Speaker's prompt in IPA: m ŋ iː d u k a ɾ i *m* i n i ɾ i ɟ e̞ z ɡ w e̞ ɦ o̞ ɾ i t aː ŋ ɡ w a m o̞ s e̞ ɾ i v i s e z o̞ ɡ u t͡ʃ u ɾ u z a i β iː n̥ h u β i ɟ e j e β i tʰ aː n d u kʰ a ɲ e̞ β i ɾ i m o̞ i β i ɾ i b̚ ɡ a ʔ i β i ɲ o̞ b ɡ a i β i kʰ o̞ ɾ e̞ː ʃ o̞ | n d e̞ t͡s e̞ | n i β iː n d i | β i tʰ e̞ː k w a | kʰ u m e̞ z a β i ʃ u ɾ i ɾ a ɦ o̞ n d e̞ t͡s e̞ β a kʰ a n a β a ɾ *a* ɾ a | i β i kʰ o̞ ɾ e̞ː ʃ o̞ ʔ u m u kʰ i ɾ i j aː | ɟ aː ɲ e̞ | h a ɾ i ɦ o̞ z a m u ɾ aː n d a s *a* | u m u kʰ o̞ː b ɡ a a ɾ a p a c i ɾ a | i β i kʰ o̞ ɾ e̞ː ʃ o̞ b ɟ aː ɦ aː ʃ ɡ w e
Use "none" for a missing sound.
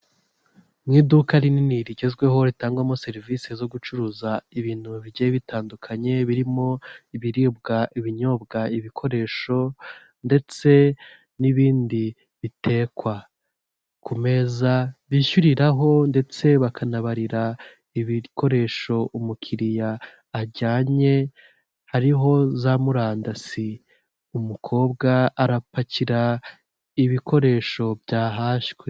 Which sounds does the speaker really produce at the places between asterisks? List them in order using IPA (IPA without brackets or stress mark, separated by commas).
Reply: n, i, i